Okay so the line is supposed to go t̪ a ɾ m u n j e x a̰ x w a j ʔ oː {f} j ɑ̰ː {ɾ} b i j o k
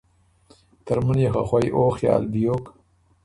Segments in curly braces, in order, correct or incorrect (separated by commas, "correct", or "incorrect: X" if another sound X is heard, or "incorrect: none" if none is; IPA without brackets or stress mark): incorrect: x, incorrect: l